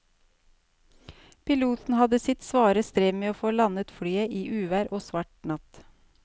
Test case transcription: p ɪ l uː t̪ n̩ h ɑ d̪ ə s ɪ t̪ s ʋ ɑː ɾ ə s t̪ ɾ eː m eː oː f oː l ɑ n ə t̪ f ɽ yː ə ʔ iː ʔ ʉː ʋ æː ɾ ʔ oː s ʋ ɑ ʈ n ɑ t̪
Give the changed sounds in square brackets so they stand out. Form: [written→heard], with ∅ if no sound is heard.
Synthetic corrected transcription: p ɪ l uː t̪ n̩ h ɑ d̪ ə s ɪ t̪ s ʋ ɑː ɾ ə s t̪ ɾ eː m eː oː f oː l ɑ n ə t̪ f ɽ yː ə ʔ iː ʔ ʉː ʋ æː ɾ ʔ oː s ʋ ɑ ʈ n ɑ t̪